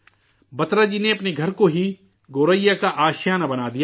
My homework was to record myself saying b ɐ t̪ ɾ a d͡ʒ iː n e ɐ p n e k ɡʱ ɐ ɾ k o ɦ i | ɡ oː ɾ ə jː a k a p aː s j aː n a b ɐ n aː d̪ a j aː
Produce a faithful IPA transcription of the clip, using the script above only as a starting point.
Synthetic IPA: b ɐ t̪ ɾ a d͡ʒ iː n e ɐ p n e ɡʱ ɐ ɾ k o ɦ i | ɡ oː ɾ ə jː a k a ʔ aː ʃ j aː n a b ɐ n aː d̪ i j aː

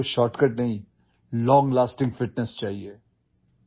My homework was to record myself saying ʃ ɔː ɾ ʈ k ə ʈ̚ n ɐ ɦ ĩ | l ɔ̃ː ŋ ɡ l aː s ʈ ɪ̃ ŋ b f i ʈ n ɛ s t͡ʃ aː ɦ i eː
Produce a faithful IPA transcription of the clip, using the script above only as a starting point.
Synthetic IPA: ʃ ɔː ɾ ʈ k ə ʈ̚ n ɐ ɦ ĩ | l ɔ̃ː ŋ ɡ l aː s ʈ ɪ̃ ŋ ɡ f ɪ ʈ n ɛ s t͡ʃ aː ɦ i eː

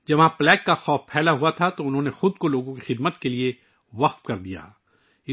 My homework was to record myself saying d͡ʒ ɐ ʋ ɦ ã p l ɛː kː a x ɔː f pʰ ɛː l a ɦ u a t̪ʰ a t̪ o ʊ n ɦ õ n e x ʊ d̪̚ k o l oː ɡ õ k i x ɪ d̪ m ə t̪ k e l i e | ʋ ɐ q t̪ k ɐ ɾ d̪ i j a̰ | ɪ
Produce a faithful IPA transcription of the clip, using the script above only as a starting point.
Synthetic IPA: d͡ʒ ɐ ʋ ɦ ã p l ɛː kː a x ɔː f pʰ ɛː l a ɦ u a t̪ʰ a t̪ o ʊ n ɦ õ n e x ʊ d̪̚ k o l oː ɡ õ k i x ɪ d̪ m ə t̪ k e l i e | ʋ ɐ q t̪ k ɐ ɾ d̪ i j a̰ | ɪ

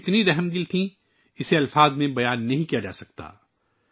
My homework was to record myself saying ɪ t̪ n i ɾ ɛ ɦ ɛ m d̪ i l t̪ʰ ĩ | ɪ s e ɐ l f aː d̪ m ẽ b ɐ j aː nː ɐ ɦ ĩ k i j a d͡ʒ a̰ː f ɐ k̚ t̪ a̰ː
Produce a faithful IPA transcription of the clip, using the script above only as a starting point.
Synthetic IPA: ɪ t̪ n i ɾ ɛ ɦ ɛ m d̪ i l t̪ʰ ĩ | ɪ s e ɐ l f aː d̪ m ẽ b ɐ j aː nː ɐ ɦ ĩ k i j a d͡ʒ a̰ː s ɐ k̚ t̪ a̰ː

